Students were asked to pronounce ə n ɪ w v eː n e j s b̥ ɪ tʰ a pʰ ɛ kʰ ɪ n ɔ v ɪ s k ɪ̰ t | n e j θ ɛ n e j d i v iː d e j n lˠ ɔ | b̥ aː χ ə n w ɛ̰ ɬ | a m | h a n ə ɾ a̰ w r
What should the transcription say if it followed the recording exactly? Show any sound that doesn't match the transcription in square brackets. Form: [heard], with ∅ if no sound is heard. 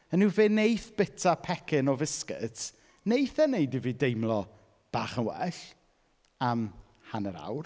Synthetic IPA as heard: ə n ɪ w v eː n e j [θ] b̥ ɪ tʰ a pʰ ɛ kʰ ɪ n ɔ v ɪ s k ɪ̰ t | n e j θ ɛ n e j d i v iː d e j [m] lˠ ɔ | b̥ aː χ ə n w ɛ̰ ɬ | a m | h a n ə ɾ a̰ w r